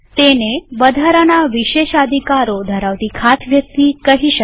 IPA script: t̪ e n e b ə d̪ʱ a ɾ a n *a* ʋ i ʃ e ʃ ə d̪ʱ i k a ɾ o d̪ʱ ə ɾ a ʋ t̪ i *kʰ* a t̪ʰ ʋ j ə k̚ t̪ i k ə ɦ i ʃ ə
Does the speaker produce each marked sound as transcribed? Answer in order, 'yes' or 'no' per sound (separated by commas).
yes, yes